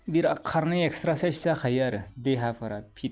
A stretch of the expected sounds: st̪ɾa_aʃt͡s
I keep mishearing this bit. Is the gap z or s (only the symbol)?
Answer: s